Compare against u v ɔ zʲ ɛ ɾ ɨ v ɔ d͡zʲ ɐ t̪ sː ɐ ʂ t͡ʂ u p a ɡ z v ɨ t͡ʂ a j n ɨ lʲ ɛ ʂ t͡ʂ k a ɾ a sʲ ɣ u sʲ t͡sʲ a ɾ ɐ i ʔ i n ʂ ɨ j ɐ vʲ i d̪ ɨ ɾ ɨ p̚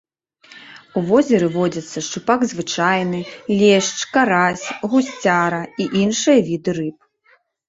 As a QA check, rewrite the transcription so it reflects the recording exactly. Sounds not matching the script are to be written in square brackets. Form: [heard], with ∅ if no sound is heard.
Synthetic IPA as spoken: u v ɔ zʲ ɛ ɾ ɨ v ɔ d͡zʲ ɐ t̪ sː ɐ ʂ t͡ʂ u p a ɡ z v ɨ t͡ʂ a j n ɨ lʲ ɛ ʂ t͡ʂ k a ɾ a sʲ ɣ u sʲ t͡sʲ a ɾ ɐ i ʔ i n ʂ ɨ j ɐ vʲ i d̪ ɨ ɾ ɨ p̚